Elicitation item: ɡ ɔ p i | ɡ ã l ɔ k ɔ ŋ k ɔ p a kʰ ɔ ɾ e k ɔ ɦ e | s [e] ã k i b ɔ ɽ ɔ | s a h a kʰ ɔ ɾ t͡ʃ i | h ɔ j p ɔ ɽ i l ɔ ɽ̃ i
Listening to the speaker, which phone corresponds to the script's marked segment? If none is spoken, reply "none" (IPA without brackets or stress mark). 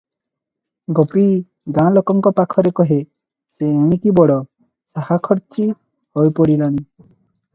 e